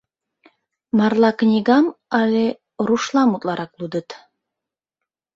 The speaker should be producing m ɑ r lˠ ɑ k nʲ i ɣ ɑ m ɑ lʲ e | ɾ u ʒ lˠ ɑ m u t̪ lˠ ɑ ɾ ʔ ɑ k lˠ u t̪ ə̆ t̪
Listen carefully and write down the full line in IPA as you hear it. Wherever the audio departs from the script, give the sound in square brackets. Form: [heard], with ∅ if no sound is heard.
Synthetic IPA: m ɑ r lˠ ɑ k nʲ i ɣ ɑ m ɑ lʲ e | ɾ u [ʃ] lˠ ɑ m u t̪ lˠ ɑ ɾ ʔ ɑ k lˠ u [d̪] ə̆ t̪